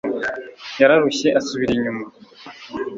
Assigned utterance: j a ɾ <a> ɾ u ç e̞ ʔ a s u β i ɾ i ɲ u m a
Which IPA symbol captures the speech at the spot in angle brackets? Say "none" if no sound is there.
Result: a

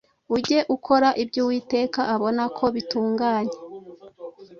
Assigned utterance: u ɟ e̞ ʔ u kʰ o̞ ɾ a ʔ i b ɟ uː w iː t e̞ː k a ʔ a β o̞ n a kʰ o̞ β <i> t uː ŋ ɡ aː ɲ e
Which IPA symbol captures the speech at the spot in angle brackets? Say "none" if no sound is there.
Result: i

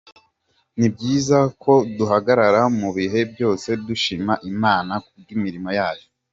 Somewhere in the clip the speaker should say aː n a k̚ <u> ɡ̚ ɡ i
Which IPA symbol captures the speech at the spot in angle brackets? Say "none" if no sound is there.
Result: u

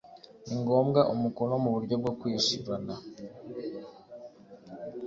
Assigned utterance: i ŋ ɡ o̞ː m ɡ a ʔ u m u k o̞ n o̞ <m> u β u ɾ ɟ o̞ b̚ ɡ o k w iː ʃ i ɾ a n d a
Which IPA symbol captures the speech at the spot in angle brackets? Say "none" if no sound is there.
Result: m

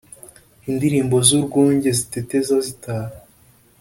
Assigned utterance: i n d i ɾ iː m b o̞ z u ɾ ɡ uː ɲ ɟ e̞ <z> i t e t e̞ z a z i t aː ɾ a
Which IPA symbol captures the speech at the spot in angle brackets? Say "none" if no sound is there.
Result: z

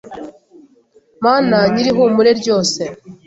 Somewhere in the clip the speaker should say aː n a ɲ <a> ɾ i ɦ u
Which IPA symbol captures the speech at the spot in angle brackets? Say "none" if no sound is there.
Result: i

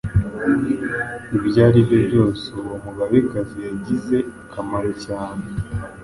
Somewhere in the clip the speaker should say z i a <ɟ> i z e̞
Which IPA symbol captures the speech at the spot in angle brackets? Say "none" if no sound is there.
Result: ɟ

